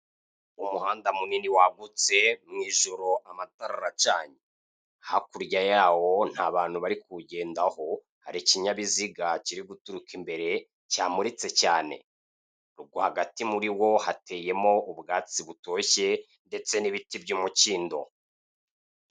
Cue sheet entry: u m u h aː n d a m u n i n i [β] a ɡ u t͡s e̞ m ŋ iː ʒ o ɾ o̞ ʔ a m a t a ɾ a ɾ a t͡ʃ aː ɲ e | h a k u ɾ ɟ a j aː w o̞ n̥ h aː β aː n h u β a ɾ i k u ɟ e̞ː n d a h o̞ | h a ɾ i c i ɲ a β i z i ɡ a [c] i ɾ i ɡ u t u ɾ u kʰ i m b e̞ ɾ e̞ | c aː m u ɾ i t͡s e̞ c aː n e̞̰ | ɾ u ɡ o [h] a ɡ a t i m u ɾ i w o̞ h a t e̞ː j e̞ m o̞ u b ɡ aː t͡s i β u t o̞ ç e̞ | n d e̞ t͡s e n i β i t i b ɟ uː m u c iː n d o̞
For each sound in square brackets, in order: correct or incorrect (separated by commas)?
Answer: incorrect, correct, correct